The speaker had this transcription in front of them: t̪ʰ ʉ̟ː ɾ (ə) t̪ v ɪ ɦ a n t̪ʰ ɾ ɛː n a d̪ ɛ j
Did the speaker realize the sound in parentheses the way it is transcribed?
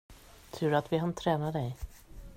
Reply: no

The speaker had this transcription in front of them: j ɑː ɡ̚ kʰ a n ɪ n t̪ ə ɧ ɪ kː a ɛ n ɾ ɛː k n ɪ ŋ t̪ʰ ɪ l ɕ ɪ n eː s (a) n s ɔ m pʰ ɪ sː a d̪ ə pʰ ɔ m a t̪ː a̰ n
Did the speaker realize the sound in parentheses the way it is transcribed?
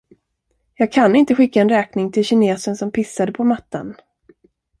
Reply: no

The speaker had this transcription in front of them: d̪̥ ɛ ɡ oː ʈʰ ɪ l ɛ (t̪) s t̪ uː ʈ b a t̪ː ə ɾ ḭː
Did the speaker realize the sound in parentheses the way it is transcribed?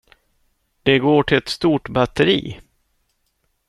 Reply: yes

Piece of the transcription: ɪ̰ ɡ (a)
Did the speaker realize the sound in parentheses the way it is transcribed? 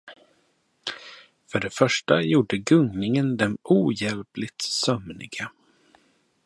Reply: yes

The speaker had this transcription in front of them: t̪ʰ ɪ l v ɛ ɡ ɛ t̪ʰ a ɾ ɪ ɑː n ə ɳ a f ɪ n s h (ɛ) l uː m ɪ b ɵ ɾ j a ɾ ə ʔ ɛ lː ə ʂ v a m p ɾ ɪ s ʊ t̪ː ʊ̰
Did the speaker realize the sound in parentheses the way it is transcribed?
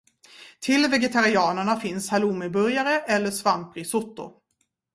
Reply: no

